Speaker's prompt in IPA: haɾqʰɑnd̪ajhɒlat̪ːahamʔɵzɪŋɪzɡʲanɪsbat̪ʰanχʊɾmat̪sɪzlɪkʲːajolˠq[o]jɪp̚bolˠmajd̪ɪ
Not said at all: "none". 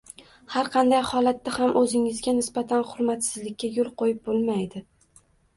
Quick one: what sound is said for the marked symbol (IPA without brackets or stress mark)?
o